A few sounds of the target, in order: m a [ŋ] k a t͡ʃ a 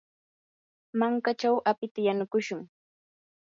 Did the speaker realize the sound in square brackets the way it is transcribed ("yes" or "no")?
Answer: yes